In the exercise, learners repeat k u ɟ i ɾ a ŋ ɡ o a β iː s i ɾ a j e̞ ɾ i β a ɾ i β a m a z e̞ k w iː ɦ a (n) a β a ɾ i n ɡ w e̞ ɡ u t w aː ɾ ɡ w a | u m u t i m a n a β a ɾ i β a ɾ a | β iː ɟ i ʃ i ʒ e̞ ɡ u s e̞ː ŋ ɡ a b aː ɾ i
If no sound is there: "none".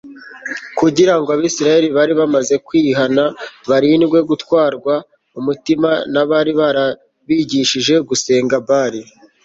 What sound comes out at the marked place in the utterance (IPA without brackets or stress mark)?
n